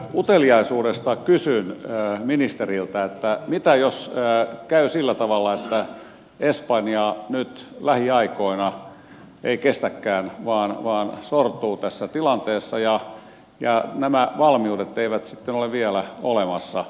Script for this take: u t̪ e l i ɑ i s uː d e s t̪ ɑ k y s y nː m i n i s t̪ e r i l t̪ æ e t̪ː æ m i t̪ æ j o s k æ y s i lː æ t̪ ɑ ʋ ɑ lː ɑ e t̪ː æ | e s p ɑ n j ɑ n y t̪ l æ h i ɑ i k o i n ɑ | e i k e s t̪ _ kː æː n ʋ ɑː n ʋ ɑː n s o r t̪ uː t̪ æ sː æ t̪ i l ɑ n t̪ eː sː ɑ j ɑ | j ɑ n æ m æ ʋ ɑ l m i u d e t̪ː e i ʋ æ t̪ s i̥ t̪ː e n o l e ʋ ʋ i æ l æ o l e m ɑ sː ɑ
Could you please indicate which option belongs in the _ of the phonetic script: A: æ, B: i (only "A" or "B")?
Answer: A